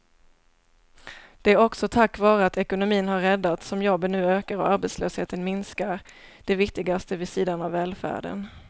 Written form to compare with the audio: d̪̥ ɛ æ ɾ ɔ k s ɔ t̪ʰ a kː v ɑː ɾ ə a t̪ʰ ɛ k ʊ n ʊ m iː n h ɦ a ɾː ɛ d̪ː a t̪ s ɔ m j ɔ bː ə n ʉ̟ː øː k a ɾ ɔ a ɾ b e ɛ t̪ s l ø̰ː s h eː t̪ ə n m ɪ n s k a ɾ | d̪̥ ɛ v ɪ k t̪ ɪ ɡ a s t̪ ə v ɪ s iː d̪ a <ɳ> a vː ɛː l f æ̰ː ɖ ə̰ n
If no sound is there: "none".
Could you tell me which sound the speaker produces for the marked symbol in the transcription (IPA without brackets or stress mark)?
n